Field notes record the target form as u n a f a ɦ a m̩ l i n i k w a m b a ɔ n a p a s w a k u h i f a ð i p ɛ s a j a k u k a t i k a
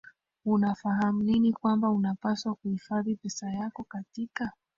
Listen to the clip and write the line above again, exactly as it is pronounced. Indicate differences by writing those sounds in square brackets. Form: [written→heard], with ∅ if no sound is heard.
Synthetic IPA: u n a f a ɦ a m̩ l i n i k w a m b a [ɔ→u] n a p a s w a k u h i f a ð i p ɛ s a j a k [u→ɔ] k a t i k a